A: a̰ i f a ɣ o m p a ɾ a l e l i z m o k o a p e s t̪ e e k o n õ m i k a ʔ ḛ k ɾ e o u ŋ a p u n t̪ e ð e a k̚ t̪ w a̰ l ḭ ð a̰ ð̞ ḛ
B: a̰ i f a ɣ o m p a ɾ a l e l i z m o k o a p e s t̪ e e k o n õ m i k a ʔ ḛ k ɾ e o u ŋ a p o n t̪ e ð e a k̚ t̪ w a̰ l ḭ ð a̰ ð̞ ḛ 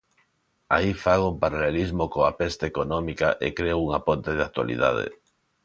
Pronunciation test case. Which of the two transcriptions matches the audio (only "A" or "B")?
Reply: B